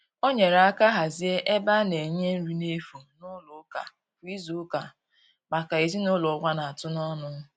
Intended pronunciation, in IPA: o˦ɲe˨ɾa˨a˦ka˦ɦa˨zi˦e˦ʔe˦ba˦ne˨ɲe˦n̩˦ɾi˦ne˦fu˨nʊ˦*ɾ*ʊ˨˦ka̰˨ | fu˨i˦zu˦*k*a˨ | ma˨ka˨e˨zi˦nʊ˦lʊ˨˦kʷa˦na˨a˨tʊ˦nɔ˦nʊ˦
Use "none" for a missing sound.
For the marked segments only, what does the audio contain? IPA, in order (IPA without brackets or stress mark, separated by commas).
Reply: l, k